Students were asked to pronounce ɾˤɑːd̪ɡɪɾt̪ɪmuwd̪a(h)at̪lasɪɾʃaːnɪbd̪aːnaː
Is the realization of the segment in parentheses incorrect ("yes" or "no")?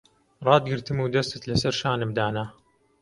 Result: yes